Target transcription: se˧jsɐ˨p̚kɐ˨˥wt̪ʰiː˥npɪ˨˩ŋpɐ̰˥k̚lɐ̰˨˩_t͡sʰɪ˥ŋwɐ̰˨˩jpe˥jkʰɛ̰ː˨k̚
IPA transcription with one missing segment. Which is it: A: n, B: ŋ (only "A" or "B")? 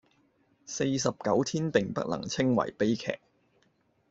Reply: B